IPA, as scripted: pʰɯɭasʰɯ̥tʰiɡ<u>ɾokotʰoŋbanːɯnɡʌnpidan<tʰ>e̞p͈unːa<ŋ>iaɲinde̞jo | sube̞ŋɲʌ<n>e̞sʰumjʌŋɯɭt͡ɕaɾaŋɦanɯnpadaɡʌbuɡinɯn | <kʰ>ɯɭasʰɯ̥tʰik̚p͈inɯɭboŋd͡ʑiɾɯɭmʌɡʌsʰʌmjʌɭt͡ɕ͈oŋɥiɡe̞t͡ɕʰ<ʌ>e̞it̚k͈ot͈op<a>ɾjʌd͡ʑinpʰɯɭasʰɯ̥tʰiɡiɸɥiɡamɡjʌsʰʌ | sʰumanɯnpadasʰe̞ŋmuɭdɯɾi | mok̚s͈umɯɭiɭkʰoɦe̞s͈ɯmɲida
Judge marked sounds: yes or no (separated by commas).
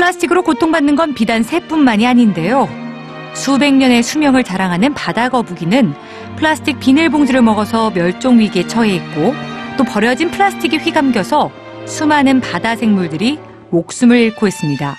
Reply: no, no, no, yes, no, yes, no